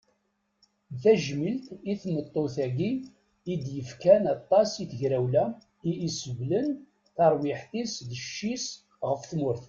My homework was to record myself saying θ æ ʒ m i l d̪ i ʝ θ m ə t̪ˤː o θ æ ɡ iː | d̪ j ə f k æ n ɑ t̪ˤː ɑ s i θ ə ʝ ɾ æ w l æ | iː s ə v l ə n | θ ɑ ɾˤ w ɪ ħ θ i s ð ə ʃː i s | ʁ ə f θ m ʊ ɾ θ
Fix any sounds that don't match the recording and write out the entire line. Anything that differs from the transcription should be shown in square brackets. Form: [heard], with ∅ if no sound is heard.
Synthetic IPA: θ æ ʒ m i l [t̪] i [∅] θ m ə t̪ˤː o θ æ ɡ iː | d̪ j ə f k æ n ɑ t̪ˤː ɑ s i θ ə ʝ ɾ æ w l æ | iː s ə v l ə n | θ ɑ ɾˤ w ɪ ħ θ i s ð ə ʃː i s | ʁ ə f θ m ʊ ɾ θ